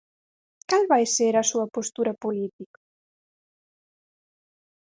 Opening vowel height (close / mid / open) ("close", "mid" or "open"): open